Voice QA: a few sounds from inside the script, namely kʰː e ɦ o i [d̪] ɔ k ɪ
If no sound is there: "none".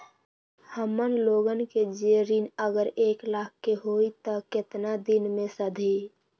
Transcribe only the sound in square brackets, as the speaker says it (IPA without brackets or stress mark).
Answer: t̪